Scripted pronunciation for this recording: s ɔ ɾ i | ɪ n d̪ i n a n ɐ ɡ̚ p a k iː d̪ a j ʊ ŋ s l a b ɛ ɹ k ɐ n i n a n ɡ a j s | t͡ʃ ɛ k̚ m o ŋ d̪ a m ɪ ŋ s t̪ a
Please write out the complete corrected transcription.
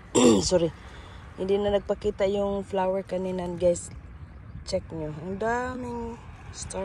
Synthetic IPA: s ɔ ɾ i | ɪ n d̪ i n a n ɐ ɡ̚ p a k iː t̪ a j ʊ ŋ f l a w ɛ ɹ k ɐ n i n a n ɡ a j s | t͡ʃ ɛ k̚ ɲ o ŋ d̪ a m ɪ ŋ s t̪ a